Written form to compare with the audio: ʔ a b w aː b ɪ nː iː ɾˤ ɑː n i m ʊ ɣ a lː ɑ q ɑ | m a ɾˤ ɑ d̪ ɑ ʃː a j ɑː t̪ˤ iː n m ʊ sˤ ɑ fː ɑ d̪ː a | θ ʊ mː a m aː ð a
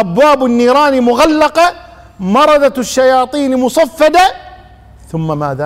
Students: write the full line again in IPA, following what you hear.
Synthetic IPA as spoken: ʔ a b w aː b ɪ nː iː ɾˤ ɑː n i m ʊ ɣ a lː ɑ q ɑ | m ɑ ɾˤ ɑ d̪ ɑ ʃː a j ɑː t̪ˤ iː n m ʊ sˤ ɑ fː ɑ d̪ a | θ ʊ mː a m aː ð a